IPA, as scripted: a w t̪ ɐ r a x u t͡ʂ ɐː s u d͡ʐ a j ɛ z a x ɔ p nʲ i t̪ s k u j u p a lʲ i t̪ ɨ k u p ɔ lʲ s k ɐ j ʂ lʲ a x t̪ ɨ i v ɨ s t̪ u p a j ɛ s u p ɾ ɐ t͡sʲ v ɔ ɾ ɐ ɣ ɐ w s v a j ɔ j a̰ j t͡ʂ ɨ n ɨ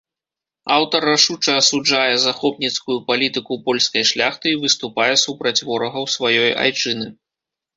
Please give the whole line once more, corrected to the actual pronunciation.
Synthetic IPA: a w t̪ ɐ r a ʂ u t͡ʂ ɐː s u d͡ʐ a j ɛ z a x ɔ p nʲ i t̪ s k u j u p a lʲ i t̪ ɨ k u p ɔ lʲ s k ɐ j ʂ lʲ a x t̪ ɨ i v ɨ s t̪ u p a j ɛ s u p ɾ ɐ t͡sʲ v ɔ ɾ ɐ ɣ ɐ w s v a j ɔ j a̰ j t͡ʂ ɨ n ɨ